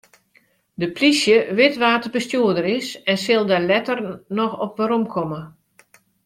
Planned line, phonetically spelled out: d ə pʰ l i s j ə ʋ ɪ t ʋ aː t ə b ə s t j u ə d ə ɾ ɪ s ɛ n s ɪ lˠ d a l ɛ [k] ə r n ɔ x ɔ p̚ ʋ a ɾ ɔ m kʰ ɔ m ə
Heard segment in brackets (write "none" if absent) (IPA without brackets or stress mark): t